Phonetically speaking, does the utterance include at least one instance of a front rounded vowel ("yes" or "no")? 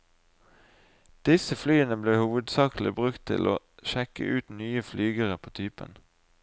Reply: yes